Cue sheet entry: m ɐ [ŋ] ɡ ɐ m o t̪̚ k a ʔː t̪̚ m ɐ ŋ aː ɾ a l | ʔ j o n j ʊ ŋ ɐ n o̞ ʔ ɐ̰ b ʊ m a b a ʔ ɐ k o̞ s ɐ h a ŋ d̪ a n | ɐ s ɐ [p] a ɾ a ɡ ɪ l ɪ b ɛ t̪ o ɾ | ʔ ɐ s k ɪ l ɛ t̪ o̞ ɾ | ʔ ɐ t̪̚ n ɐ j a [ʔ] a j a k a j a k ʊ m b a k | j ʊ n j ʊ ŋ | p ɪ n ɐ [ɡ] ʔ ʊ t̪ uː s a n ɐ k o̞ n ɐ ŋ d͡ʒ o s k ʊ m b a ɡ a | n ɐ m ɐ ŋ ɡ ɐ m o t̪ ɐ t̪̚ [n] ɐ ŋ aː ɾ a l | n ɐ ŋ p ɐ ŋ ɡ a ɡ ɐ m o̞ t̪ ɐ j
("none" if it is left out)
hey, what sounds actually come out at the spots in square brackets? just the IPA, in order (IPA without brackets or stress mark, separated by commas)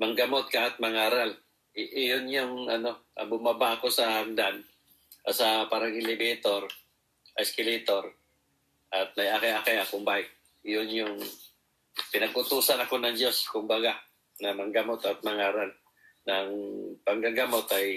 ŋ, p, k, ɡ, m